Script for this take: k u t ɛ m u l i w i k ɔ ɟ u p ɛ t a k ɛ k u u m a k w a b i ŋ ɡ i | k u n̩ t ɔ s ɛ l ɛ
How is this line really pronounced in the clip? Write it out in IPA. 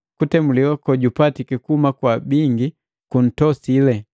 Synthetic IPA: k u t ɛ m u l i w a k ɔ ɟ u p a t i k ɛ k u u m a k w a b i ŋ ɡ i | k u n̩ t ɔ s i l ɛ

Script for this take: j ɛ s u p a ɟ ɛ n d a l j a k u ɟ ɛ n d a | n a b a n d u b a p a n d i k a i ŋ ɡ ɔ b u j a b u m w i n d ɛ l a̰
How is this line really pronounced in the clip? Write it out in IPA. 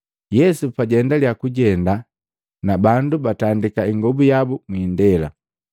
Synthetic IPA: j ɛ s u p a ɟ ɛ n d a l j a k u ɟ ɛ n d a | n a b a n d u b a t a n d i k a i ŋ ɡ ɔ b u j a b u m w i n d ɛ l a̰

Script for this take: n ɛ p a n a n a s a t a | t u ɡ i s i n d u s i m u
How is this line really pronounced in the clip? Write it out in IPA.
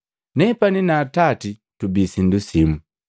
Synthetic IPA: n ɛ p a n i n a t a t i | t u b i s i n d u s i m u

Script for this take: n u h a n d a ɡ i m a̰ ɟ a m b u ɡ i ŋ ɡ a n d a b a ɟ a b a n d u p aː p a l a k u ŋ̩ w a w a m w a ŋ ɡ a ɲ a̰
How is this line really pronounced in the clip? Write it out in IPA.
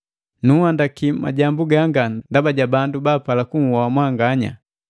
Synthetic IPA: n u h a n d a k i m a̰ ɟ a m b u ɡ a ŋ ɡ a n d a b a ɟ a b a n d u b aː p a l a k u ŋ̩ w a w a m w a ŋ ɡ a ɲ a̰

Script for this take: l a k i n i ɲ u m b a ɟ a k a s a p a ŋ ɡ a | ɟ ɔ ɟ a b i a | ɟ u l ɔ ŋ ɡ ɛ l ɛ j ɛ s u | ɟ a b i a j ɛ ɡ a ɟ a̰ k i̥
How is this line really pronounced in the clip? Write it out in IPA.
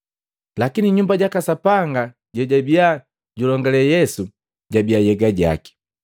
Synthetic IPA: l a k i n i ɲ u m b a ɟ a k a s a p a ŋ ɡ a | ɟ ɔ ɟ a b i a | ɟ u l ɔ ŋ ɡ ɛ l ɛ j ɛ s u | ɟ a b i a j ɛ ɡ a ɟ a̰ k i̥

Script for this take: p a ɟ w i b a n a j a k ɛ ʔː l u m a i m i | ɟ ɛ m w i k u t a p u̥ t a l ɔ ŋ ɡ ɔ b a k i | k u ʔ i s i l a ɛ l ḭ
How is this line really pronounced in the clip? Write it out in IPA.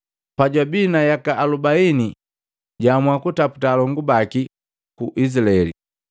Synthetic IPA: p a ɟ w a b i n a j a k a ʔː l u b a i n i | ɟ a m w a k u t a p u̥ t a l ɔ ŋ ɡ u b a k i | k u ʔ i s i l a ɛ l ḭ

